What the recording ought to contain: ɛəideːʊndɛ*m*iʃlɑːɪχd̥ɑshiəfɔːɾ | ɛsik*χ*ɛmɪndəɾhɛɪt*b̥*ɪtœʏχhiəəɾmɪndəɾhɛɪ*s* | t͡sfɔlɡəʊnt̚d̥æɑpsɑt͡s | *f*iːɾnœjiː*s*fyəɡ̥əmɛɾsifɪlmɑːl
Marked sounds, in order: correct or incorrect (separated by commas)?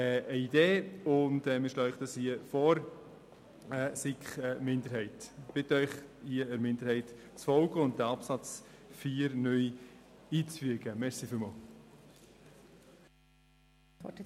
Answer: correct, correct, correct, incorrect, correct, incorrect